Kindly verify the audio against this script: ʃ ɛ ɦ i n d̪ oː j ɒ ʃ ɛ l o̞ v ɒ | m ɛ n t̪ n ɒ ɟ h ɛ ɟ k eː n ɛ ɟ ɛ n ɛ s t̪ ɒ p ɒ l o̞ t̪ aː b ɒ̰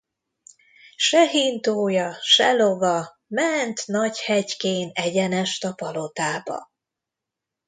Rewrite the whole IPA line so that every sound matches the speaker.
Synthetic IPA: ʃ ɛ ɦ i n t̪ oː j ɒ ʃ ɛ l o̞ v ɒ | m ɛ n t̪ n ɒ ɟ h ɛ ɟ k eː n ɛ ɟ ɛ n ɛ ʃ t̪ ɒ p ɒ l o̞ t̪ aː b ɒ̰

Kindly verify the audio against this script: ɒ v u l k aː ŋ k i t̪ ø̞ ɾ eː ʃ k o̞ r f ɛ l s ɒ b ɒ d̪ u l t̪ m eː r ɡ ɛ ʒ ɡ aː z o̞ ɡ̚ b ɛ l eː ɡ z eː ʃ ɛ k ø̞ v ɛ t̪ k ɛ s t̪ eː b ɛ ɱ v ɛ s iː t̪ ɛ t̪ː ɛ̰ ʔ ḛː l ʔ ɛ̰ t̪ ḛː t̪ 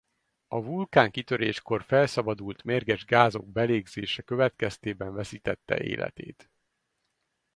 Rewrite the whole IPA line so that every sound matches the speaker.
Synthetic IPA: ɒ v u l k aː ŋ k i t̪ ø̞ ɾ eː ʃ k o̞ r f ɛ l s ɒ b ɒ d̪ u l t̪ m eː r ɡ ɛ ʒ ɡ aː z o̞ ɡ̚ b ɛ l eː ɡ z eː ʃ ɛ k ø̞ v ɛ t̪ k ɛ s t̪ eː b ɛ ɱ v ɛ s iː t̪ ɛ t̪ː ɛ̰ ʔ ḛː l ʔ ɛ̰ t̪ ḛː t̪

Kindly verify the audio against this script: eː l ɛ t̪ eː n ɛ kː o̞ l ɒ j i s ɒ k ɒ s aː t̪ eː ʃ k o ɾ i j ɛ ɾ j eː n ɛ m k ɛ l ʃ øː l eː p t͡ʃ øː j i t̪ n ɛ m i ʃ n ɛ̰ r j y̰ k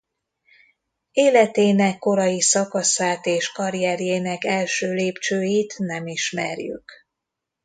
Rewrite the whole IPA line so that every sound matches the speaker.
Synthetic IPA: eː l ɛ t̪ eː n ɛ kː o̞ ɾ ɒ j i s ɒ k ɒ s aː t̪ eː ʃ k ɒ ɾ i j ɛ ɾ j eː n ɛ k ɛ l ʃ øː l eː p t͡ʃ øː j i t̪ n ɛ m i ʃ m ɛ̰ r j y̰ k

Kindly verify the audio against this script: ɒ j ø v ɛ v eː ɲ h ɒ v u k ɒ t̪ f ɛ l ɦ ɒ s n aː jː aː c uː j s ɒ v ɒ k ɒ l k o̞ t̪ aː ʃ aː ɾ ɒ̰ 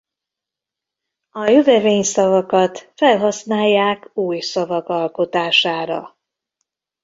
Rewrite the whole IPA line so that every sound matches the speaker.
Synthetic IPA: ɒ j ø v ɛ v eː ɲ s ɒ v ɒ k ɒ t̪ f ɛ l ɦ ɒ s n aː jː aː k uː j s ɒ v ɒ k ɒ l k o̞ t̪ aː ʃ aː ɾ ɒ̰

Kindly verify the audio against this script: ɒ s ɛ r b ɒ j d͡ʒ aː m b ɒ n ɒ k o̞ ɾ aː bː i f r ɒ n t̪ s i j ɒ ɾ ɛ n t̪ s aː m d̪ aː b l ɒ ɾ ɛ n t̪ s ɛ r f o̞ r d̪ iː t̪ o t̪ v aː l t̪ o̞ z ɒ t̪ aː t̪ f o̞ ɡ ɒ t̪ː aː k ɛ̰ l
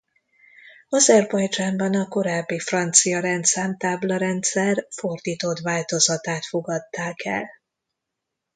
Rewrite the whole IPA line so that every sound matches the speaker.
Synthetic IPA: ɒ z ɛ r b ɒ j d͡ʒ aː m b ɒ n ɒ k o̞ ɾ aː bː i f r ɒ n t̪ s i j ɒ ɾ ɛ n t̪ s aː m t̪ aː b l ɒ ɾ ɛ n t̪ s ɛ r f o̞ r d̪ iː t̪ o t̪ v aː l t̪ o̞ z ɒ t̪ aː t̪ f o̞ ɡ ɒ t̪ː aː k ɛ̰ l

